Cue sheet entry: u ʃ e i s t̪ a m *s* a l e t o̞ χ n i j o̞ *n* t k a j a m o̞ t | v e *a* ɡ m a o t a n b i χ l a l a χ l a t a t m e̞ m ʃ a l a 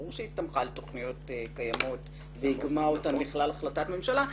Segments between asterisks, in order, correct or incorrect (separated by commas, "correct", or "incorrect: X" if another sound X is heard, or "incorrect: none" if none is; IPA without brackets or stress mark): incorrect: χ, incorrect: none, incorrect: i